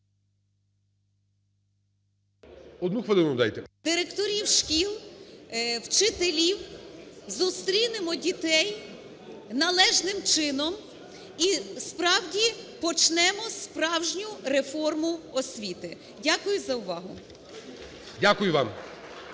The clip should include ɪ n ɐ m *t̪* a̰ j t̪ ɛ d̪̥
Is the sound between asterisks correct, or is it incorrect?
incorrect